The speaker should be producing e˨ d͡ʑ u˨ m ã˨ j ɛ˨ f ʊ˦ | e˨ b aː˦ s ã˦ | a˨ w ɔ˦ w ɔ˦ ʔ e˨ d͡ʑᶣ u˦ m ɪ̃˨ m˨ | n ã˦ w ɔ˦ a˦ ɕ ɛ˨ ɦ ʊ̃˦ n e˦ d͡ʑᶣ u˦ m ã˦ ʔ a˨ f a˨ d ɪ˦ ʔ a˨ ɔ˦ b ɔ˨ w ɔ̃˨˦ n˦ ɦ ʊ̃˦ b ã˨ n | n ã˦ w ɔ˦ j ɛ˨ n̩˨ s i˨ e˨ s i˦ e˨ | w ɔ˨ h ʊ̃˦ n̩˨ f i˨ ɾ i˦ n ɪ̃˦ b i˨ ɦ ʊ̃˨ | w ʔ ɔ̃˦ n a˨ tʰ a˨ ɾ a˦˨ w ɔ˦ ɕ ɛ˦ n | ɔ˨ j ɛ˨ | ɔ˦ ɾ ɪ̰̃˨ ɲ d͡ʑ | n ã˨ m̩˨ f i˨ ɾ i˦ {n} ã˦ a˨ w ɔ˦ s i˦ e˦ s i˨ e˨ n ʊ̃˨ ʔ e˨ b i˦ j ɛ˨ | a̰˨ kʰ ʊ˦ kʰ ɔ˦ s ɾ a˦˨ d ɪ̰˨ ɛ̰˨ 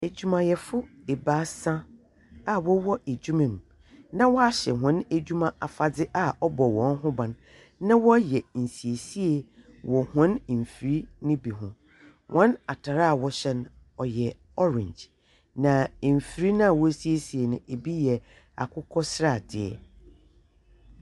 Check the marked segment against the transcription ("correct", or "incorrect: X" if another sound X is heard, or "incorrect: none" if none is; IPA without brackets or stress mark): correct